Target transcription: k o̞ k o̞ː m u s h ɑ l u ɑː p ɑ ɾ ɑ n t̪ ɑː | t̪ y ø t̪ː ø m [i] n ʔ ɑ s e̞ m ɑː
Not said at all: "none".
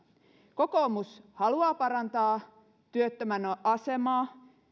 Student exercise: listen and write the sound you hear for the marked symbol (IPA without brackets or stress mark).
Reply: æ